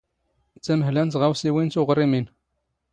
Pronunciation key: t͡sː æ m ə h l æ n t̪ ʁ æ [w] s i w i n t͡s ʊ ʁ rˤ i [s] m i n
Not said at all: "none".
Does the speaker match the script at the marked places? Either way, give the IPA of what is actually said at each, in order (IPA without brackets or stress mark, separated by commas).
w, none